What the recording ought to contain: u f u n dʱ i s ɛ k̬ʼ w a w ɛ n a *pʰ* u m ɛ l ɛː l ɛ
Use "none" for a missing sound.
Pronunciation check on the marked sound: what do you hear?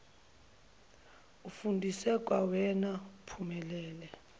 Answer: pʰ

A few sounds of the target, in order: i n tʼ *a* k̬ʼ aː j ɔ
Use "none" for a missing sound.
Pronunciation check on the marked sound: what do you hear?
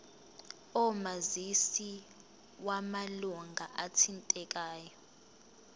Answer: ɛ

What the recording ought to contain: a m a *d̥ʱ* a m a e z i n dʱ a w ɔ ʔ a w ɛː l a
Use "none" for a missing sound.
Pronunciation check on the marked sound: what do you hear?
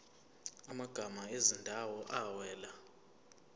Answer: ɡ̥ʱ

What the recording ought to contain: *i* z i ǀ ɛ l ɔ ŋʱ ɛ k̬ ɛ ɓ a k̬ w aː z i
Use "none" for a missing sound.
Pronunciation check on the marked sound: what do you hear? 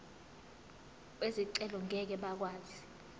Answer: e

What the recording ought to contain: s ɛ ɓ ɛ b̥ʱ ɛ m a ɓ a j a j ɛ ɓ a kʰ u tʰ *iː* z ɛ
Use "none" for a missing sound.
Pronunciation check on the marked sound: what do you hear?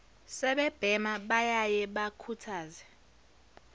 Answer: aː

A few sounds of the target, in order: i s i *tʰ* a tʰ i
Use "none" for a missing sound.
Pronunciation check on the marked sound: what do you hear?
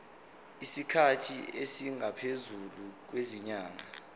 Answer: kʰ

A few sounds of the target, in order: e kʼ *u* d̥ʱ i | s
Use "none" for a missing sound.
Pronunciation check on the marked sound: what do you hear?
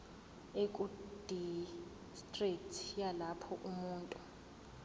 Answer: u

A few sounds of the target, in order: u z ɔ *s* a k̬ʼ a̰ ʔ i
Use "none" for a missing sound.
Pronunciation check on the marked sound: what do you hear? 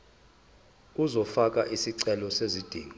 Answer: f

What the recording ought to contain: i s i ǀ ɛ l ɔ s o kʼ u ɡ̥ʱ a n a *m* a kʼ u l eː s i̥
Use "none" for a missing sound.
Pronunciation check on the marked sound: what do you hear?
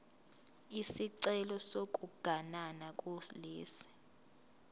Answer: n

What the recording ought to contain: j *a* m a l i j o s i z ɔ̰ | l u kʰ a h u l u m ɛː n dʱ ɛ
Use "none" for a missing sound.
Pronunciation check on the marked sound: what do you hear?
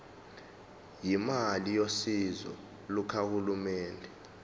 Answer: i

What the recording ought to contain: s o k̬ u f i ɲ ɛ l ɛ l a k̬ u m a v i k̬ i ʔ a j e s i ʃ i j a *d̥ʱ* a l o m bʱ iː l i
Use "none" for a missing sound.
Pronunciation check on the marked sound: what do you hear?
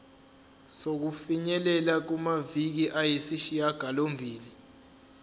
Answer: ɡ̥ʱ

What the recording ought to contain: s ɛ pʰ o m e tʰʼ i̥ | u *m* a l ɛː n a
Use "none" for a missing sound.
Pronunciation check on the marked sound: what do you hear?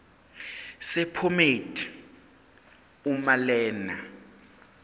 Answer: m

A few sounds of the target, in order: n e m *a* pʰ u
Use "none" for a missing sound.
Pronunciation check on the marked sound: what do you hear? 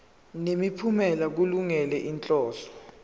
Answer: i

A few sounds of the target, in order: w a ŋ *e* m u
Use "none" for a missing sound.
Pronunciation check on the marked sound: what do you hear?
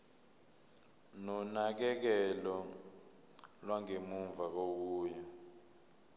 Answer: e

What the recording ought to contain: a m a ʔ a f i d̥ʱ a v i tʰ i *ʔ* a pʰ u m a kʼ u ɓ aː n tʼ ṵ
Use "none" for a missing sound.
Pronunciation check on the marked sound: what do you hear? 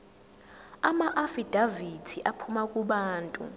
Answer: ʔ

